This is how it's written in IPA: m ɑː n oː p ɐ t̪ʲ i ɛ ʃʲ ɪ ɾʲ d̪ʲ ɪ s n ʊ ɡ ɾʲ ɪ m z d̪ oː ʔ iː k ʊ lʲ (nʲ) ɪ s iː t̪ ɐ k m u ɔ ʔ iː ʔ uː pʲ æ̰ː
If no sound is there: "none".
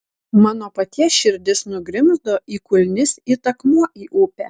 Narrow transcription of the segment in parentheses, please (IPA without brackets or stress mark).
nʲ